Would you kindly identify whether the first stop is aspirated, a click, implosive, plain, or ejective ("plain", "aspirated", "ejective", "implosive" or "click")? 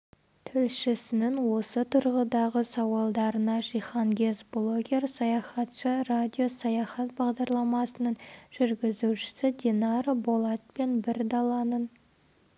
aspirated